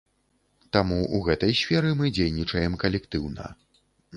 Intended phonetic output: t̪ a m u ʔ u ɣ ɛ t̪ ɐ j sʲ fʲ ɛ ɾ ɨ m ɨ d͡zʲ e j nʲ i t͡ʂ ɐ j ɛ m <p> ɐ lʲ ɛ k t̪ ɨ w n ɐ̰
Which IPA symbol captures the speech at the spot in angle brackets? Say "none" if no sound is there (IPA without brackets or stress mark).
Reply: k